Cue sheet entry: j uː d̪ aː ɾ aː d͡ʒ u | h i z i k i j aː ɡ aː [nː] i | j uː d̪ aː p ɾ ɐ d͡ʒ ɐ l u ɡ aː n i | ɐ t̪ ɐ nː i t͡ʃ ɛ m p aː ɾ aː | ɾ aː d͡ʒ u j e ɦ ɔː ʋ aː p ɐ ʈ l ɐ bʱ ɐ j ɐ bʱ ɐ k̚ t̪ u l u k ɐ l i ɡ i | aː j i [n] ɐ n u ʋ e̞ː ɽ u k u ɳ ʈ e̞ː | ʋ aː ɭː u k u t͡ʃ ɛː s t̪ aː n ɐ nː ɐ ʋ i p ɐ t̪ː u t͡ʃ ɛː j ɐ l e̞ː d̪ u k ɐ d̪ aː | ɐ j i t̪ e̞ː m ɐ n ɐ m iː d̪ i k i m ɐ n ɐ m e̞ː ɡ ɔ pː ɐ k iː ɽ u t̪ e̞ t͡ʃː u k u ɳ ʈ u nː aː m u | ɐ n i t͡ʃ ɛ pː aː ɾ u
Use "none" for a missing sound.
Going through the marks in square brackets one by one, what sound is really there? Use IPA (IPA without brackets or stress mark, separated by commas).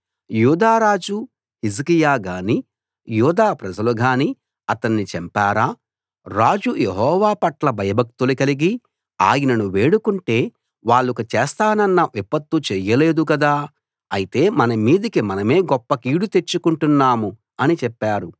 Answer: n, n